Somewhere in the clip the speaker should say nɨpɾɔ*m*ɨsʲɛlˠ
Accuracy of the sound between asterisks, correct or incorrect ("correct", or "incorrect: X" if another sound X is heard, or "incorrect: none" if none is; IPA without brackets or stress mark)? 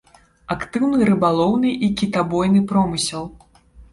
correct